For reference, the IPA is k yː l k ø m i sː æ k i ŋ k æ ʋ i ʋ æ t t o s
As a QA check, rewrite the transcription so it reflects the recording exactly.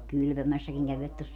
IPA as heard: k y l p ø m æ sː æ k i ŋ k æ ʋ i ʋ æ t t o s